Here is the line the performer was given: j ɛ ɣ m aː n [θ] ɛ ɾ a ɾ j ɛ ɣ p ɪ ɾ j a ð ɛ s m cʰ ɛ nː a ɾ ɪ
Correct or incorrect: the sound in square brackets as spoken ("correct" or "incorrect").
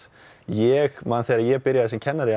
correct